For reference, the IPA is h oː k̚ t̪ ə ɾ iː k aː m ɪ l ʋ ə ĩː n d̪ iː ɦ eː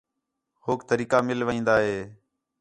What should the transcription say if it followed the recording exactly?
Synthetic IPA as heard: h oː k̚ t̪ ə ɾ iː k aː m ɪ l ʋ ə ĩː n d̪ aː ɦ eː